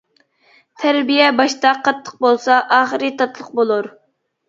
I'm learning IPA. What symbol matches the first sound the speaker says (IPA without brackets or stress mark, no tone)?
t̪ʰ